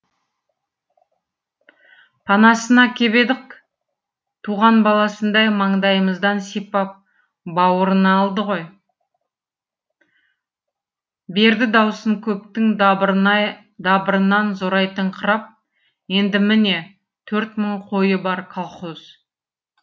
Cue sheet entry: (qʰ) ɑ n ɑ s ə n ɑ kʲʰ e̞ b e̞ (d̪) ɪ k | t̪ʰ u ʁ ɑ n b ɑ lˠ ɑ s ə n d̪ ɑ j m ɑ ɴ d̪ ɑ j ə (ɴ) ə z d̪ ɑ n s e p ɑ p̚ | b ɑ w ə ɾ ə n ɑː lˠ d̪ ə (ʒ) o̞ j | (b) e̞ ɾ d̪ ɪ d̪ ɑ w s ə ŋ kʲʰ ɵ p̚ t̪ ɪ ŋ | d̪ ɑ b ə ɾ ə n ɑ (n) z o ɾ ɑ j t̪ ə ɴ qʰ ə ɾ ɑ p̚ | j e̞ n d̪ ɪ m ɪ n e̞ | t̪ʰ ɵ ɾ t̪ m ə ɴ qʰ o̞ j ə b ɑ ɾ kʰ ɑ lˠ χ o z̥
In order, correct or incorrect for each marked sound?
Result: incorrect: pʰ, correct, incorrect: m, incorrect: ʁ, correct, correct

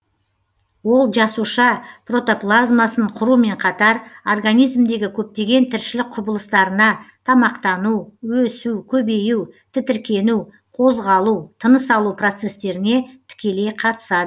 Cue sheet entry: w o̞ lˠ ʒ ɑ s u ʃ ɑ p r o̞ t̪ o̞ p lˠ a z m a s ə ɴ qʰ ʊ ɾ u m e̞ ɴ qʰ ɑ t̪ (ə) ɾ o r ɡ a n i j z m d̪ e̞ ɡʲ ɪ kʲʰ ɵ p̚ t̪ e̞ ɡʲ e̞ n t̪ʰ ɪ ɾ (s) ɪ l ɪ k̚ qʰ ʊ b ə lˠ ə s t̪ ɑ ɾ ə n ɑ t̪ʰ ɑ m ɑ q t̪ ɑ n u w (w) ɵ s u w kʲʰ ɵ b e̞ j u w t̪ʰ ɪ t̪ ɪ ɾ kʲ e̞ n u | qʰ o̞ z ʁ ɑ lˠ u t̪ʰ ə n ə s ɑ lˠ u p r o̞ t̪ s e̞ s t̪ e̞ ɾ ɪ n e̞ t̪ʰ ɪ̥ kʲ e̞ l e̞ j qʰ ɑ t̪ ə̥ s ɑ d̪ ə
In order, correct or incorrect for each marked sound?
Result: incorrect: ɑ, incorrect: ʃ, correct

